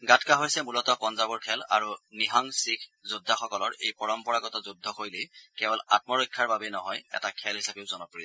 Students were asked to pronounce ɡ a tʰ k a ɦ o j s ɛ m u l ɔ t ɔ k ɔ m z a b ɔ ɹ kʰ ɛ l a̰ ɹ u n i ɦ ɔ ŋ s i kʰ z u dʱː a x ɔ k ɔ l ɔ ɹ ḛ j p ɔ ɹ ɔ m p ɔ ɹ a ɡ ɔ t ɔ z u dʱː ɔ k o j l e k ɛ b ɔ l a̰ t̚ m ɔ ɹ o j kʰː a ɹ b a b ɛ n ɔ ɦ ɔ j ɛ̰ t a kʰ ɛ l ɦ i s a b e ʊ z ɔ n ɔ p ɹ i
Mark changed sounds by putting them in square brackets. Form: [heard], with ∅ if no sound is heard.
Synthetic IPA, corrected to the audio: ɡ a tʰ k a ɦ o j s ɛ m u l ɔ t ɔ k ɔ [n] z a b ɔ ɹ kʰ ɛ l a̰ ɹ u n i ɦ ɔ ŋ s i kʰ z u dʱː a x ɔ k ɔ l ɔ ɹ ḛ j p ɔ ɹ ɔ m p ɔ ɹ a ɡ ɔ t ɔ z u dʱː ɔ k o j l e k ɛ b ɔ l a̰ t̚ m ɔ ɹ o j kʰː a ɹ b a b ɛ n ɔ ɦ ɔ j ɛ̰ t a kʰ ɛ l ɦ i s a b e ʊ z ɔ n ɔ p ɹ i